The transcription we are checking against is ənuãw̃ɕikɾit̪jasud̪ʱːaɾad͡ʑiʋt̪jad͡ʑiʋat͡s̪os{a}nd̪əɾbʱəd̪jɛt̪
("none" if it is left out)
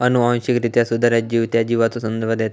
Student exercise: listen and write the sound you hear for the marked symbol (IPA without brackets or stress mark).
ə